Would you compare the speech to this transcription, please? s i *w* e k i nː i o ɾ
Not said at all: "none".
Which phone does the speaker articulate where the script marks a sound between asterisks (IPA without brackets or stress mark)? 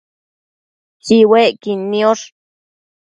w